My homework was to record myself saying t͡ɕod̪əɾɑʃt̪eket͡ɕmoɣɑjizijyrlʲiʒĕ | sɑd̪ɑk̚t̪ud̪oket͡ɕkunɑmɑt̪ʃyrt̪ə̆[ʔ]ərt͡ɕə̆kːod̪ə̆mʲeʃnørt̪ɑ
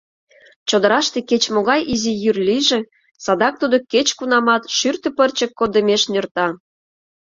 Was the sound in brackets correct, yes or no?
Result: no